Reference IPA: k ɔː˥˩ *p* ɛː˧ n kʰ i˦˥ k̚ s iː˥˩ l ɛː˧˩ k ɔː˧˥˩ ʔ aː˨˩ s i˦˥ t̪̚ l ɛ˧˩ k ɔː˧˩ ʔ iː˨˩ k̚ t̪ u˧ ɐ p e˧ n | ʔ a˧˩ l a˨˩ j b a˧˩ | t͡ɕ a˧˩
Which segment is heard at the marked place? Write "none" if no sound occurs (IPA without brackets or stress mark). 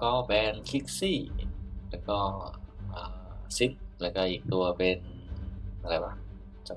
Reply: b